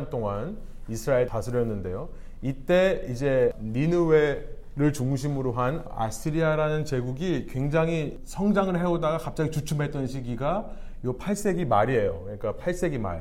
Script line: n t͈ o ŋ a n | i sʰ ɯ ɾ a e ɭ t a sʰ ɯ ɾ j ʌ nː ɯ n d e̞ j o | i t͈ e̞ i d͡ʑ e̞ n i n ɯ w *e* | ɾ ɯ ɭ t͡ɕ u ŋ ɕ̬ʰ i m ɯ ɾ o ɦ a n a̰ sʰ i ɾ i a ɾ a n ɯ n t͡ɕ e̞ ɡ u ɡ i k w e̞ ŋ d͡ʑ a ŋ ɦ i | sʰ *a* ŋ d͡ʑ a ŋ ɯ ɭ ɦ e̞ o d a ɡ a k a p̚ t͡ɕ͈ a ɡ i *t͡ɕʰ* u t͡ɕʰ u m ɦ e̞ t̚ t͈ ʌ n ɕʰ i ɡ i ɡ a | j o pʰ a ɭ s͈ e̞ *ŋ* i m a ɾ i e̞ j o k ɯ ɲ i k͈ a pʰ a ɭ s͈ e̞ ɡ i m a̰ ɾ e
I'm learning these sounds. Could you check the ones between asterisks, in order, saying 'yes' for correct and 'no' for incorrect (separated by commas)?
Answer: yes, no, no, no